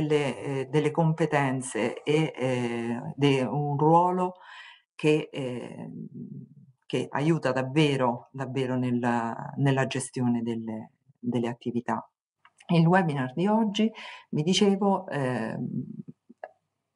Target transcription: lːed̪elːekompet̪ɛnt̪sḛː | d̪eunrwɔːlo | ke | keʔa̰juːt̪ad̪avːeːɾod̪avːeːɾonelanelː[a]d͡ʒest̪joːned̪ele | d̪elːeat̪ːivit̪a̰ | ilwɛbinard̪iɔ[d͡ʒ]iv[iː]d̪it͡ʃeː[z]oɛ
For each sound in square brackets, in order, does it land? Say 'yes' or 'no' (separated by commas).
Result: yes, no, no, no